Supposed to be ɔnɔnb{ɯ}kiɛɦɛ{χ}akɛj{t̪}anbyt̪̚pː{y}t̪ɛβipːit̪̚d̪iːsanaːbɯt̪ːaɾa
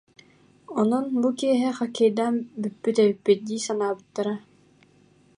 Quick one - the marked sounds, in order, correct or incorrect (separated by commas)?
incorrect, correct, incorrect, correct